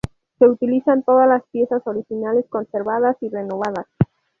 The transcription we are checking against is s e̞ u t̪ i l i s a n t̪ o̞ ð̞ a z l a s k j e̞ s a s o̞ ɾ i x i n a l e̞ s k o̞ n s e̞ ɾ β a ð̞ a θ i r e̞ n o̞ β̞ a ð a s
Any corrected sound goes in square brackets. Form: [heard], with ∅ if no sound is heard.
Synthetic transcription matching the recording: s e̞ u t̪ i l i s a n t̪ o̞ ð̞ a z l a s [p] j e̞ s a s o̞ ɾ i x i n a l e̞ s k o̞ n s e̞ ɾ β a ð̞ a [s] i r e̞ n o̞ β̞ a ð a s